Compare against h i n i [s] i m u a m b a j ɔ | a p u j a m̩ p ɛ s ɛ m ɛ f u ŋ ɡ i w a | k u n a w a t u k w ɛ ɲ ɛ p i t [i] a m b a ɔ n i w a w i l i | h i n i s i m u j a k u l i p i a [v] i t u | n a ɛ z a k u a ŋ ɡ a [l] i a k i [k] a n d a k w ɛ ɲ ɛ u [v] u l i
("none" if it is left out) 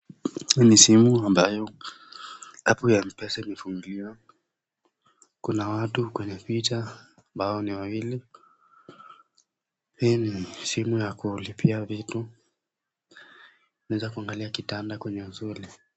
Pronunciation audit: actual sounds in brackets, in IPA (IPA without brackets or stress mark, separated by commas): s, a, v, l, t, z